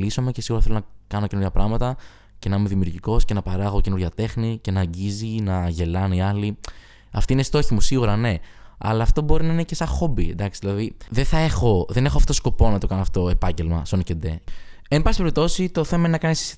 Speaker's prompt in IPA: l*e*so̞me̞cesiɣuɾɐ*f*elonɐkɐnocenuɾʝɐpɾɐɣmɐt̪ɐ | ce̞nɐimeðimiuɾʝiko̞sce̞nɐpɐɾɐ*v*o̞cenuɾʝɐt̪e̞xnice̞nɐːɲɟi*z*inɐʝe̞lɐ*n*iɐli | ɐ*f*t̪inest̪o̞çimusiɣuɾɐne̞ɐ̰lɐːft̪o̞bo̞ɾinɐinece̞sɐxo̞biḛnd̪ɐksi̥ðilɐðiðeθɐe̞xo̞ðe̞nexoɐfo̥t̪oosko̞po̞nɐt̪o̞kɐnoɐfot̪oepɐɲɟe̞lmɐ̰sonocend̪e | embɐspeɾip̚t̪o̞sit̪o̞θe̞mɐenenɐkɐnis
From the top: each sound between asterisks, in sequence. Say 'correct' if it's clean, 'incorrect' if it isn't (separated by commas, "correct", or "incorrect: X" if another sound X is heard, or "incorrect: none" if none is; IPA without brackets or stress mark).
incorrect: i, incorrect: θ, incorrect: ɣ, correct, correct, correct